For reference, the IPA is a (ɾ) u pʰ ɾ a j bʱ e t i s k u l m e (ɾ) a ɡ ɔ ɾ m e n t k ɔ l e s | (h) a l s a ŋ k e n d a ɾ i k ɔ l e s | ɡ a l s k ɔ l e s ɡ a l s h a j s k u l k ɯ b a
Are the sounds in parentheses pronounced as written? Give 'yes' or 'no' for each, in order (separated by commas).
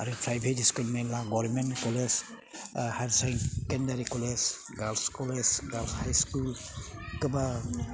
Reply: yes, no, yes